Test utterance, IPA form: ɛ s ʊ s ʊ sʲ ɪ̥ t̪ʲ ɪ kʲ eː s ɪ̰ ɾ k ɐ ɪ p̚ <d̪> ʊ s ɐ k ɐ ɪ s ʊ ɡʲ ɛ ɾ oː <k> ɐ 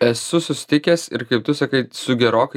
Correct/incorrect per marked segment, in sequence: incorrect, correct

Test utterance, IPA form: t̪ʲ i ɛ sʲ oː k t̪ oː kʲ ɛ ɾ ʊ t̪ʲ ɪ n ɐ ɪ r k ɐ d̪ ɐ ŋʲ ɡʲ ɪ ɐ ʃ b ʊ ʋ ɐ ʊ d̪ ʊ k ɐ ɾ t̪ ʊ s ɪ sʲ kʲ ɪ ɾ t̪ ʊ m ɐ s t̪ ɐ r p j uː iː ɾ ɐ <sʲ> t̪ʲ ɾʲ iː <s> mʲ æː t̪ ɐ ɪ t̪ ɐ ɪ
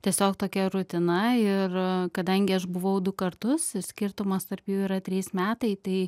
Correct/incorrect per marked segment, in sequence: incorrect, correct

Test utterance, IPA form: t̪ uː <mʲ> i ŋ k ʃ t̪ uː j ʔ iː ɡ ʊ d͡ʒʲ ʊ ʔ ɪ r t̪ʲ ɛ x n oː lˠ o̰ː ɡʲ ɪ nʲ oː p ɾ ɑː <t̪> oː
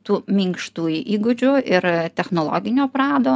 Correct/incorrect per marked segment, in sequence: correct, incorrect

